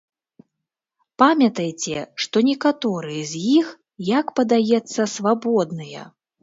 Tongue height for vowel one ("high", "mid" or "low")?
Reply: low